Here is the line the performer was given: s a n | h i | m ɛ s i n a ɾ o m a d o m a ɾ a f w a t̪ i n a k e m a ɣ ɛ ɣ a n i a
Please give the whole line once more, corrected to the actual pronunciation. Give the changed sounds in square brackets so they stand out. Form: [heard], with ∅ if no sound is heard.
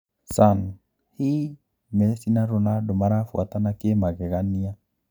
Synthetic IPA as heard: s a n | h i | m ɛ s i n a ɾ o [n] a d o m a ɾ a f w a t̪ [a] n a k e m a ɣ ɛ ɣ a n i a